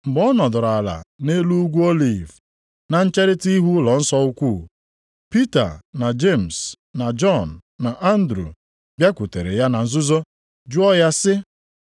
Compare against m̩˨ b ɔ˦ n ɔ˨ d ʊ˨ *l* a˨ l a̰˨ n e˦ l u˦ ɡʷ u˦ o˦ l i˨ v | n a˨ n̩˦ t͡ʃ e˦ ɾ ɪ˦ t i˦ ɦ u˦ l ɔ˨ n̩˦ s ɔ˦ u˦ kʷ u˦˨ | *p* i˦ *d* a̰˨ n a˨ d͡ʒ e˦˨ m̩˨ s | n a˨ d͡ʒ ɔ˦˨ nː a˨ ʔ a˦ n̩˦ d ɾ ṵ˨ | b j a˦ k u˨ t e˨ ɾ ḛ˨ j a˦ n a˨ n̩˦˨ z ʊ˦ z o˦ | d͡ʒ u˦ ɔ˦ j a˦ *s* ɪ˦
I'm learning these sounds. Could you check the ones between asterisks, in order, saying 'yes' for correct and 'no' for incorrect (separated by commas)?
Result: no, yes, no, yes